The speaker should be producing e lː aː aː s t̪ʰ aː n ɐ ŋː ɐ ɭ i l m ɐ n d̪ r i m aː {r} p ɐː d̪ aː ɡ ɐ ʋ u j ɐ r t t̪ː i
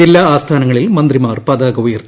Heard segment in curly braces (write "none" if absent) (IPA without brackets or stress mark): r